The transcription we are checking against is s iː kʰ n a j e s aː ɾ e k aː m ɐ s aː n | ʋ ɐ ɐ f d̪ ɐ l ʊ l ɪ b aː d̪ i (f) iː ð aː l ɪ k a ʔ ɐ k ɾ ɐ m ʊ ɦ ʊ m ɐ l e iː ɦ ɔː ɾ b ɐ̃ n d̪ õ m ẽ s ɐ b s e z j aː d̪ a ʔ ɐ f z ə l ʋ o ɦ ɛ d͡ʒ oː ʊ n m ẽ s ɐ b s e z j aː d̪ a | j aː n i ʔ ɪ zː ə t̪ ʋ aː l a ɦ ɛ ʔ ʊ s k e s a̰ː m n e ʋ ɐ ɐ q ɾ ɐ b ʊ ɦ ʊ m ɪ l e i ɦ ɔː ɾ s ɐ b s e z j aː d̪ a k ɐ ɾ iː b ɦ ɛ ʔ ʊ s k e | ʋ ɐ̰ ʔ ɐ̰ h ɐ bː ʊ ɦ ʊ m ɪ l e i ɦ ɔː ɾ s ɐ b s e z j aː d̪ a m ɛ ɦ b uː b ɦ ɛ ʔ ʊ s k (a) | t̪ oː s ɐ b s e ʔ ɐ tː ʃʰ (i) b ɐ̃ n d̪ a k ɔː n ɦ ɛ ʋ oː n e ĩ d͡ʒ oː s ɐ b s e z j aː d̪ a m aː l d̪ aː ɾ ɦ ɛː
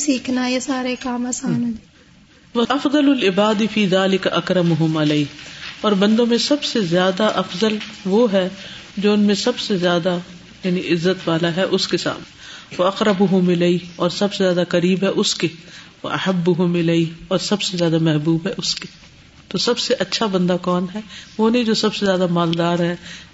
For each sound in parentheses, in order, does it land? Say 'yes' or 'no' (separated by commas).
yes, no, no